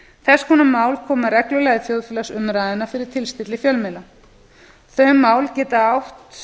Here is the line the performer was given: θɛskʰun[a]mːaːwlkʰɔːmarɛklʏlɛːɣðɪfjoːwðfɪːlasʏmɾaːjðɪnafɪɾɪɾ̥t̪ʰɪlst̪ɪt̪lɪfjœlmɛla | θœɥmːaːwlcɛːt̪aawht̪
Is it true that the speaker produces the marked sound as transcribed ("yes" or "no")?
yes